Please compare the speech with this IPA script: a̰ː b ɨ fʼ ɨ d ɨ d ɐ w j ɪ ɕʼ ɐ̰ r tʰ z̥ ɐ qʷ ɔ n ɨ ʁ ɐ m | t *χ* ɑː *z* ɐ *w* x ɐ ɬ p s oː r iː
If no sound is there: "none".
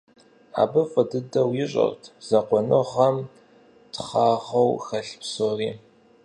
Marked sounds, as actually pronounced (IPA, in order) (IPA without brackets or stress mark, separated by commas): χ, ʁ, w